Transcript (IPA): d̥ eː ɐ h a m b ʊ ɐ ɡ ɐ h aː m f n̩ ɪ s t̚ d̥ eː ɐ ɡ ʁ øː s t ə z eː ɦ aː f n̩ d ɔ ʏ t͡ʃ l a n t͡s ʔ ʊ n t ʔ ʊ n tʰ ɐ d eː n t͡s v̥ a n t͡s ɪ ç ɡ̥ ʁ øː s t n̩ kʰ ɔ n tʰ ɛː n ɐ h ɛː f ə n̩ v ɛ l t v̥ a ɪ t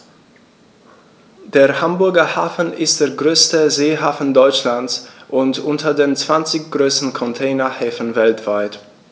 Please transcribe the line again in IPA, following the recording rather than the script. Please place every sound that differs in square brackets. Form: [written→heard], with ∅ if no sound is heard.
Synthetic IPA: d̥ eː ɐ h a m b ʊ ɐ ɡ ɐ h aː [m→∅] f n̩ ɪ s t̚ d̥ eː ɐ ɡ ʁ øː s t ə z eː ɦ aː f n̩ d ɔ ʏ t͡ʃ l a n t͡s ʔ ʊ n t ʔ ʊ n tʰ ɐ d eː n t͡s v̥ a n t͡s ɪ ç ɡ̥ ʁ øː s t n̩ kʰ ɔ n tʰ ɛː n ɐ h ɛː f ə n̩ v ɛ l t v̥ a ɪ t